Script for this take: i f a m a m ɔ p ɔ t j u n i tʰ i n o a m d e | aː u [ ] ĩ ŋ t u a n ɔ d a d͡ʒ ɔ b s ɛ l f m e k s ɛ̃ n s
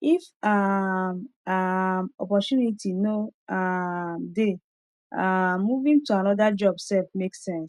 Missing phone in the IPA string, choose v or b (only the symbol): v